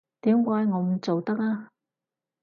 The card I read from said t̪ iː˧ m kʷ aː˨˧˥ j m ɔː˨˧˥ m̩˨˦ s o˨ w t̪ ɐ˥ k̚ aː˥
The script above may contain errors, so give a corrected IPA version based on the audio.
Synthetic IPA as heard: t̪ iː˨˥ m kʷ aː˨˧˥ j ŋ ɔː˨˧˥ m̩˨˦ t͡s o˨ w t̪ ɐ˥ k̚ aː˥

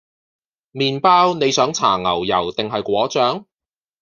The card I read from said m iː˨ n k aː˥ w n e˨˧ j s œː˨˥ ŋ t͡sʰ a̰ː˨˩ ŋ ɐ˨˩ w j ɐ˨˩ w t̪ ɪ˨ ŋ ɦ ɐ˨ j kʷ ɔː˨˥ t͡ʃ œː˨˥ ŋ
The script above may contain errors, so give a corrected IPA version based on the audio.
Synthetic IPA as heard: m iː˨ n p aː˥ w n e˨˧ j s œː˨˥ ŋ t͡sʰ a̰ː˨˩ ŋ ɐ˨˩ w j ɐ˨˩ w t̪ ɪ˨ ŋ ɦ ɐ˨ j kʷ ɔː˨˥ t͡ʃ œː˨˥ ŋ

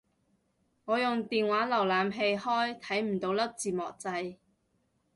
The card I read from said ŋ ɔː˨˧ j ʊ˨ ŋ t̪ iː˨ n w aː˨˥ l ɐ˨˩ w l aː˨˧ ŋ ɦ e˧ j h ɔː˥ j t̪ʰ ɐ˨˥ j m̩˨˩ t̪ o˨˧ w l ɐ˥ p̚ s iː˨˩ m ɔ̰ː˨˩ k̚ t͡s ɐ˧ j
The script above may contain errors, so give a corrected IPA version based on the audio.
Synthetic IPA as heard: ŋ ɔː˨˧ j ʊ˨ ŋ t̪ iː˨ n w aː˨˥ l ɐ˨˩ w l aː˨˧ m ɦ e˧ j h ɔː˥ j t̪ʰ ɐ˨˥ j m̩˨˩ t̪ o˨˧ w l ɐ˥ p̚ t͡s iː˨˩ m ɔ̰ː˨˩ k̚ t͡s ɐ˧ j

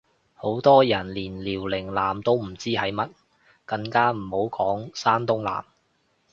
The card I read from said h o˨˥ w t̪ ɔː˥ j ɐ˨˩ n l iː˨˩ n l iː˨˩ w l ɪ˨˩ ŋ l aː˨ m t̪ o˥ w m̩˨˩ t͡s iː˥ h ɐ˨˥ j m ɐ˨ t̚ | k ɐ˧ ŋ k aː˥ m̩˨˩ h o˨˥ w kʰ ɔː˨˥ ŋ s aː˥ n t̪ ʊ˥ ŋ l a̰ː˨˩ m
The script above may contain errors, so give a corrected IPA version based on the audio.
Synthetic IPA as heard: h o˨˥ w t̪ ɔː˥ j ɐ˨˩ n l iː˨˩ n l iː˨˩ w l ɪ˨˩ ŋ l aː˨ m t̪ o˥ w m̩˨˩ t͡s iː˥ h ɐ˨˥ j m ɐ˥ t̚ | k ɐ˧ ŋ k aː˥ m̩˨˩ h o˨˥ w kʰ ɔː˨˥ ŋ s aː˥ n t̪ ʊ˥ ŋ l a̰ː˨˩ m

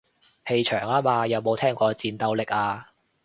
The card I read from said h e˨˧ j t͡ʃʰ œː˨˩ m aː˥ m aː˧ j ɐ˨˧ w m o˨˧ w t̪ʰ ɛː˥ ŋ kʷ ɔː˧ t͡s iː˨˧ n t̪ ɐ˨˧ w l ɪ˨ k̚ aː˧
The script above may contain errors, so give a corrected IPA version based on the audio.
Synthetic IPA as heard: h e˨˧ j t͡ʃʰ œː˨˩ ŋ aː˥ m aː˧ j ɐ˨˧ w m o˨˧ w t̪ʰ ɛː˥ ŋ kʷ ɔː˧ t͡s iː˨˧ n t̪ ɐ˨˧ w l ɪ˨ k̚ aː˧

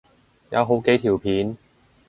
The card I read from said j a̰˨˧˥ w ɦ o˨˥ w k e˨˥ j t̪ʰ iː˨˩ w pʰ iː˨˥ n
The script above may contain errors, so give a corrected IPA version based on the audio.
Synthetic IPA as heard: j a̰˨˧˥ w ɦ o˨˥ w k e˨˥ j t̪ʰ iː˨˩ w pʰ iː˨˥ n

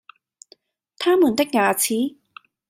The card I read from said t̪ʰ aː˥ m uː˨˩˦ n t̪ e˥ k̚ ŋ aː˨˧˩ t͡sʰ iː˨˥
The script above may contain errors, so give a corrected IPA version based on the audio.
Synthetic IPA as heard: t̪ʰ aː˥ m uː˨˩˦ n t̪ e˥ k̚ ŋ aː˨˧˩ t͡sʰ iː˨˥

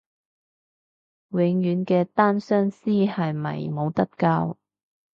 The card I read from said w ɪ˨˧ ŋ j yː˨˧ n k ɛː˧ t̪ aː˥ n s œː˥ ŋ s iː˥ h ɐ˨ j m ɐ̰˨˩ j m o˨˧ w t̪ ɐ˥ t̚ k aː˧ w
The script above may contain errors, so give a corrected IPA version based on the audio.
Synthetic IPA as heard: w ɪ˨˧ ŋ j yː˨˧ n k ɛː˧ t̪ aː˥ n s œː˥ ŋ s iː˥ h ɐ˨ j m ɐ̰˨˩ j m o˨˧ w t̪ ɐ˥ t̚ k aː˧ w

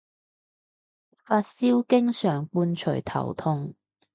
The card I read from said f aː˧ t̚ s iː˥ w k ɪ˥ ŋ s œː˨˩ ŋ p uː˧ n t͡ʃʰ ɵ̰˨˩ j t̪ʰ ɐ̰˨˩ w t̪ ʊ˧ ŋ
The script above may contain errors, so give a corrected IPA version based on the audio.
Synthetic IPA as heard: f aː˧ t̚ s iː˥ w k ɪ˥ ŋ s œː˨˩ ŋ p uː˧ n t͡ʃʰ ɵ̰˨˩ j t̪ʰ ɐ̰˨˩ w t̪ʰ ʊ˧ ŋ

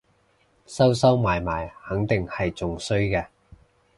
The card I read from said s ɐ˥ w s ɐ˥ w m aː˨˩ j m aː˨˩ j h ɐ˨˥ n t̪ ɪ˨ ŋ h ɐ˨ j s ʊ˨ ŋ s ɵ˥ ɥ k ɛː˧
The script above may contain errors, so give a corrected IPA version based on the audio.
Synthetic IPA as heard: s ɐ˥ w s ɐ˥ w m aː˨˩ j m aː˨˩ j h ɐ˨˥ ŋ t̪ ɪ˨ ŋ h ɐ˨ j t͡s ʊ˨ ŋ s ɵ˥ ɥ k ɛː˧

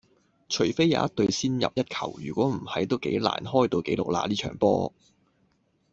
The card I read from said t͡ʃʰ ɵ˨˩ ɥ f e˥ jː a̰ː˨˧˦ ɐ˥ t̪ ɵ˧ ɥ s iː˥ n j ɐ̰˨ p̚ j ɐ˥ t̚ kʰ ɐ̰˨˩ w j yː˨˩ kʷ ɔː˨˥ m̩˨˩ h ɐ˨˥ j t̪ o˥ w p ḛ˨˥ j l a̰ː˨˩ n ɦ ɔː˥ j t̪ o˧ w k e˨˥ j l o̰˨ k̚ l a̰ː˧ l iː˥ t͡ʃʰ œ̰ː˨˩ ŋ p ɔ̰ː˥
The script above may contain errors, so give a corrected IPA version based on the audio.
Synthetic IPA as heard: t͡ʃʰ ɵ˨˩ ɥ f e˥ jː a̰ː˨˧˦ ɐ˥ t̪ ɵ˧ ɥ s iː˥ n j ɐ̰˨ p̚ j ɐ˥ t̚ kʰ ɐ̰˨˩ w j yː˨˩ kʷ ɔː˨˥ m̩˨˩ h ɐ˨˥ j t̪ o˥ w k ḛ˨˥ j l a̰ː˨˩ n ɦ ɔː˥ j t̪ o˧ w k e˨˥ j l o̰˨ k̚ l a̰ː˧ l iː˥ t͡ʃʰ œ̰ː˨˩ ŋ p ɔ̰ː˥

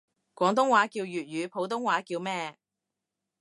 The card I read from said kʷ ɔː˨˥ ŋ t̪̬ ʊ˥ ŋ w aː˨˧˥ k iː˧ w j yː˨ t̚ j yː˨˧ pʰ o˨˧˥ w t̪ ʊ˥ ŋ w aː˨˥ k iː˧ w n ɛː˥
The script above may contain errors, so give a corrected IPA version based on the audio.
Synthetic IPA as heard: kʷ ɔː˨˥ ŋ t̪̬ ʊ˥ ŋ w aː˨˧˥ k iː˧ w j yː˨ t̚ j yː˨˧ pʰ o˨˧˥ w t̪ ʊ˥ ŋ w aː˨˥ k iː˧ w m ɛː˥

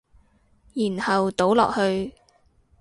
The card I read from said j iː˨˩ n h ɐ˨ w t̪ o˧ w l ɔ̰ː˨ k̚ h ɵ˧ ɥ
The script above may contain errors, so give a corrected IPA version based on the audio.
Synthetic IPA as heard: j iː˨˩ n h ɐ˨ w t̪ o˨˥ w l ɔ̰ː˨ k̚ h ɵ˧ ɥ

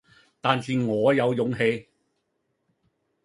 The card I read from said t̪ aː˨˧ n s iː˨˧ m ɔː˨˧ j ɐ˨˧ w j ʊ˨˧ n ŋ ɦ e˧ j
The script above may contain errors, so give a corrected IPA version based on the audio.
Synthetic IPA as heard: t̪ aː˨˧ n s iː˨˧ ŋ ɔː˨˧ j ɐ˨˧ w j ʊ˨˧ ŋ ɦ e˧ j

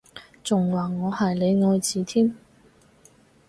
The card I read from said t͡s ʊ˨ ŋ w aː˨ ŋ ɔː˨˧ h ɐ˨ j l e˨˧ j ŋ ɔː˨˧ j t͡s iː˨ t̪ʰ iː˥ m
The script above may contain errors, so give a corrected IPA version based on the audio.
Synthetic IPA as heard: t͡s ʊ˨ ŋ w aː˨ ŋ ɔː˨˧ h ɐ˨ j l e˨˧ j ŋ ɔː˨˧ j t͡s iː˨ t̪ʰ iː˥ m

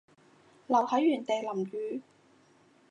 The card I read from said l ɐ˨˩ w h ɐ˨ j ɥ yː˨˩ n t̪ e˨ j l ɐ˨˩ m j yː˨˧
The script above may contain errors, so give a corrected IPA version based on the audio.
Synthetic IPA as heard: l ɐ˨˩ w h ɐ˨˥ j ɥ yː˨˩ n t̪ e˨ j l ɐ˨˩ m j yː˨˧

